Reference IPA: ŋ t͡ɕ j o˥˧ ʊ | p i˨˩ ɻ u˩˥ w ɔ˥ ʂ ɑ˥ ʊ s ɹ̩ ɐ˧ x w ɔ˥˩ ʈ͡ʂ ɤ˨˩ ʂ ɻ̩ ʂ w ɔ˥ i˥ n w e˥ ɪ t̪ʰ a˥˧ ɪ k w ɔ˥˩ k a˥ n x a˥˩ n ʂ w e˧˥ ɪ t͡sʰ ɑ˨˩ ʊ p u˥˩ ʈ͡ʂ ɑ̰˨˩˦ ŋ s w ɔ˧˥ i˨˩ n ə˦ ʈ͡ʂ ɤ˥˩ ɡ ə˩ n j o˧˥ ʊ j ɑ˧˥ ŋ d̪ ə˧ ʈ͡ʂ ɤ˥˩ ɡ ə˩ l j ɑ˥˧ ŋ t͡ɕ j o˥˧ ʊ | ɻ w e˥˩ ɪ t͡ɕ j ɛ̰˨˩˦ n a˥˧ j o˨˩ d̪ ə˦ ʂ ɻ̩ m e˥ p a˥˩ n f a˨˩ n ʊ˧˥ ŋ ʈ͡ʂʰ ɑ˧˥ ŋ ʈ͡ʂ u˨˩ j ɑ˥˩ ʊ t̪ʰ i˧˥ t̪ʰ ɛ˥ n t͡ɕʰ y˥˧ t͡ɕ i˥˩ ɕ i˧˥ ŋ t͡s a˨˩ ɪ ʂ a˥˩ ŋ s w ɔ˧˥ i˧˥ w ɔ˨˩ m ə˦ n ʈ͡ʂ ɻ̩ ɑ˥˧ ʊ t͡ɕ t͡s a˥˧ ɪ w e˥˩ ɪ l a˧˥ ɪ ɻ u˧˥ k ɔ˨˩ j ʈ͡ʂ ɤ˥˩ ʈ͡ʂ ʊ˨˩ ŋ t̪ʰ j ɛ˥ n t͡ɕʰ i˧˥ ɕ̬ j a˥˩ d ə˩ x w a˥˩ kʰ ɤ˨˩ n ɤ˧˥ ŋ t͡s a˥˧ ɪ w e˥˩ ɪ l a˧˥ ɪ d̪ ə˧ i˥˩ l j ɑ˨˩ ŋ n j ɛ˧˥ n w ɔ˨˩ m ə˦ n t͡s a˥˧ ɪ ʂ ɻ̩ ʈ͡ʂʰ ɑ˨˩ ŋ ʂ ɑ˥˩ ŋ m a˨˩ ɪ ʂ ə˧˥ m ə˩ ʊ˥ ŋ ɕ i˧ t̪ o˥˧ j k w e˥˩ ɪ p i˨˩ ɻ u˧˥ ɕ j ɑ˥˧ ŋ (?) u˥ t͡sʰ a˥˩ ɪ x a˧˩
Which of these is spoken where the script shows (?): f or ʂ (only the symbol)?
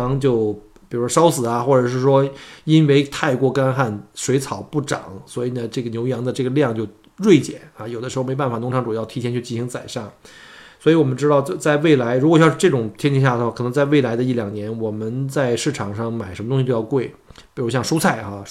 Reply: ʂ